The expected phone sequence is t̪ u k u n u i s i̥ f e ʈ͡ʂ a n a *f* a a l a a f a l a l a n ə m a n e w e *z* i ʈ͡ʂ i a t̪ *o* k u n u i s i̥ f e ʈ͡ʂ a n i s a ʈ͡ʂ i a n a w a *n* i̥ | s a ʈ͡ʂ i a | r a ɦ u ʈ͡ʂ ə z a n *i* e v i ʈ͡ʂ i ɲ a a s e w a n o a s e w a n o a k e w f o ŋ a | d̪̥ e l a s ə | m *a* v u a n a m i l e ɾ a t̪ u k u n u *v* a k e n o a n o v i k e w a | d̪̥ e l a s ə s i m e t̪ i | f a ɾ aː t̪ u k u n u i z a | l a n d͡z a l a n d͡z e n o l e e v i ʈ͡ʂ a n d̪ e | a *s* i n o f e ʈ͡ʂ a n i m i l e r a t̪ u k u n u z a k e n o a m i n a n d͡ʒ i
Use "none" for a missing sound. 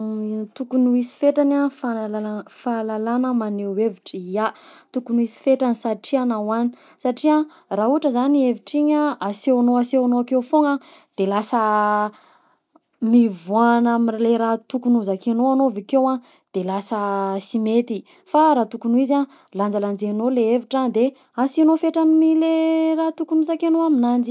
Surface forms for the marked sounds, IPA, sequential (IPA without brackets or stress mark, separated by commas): f, v, u, n, i, i, z, s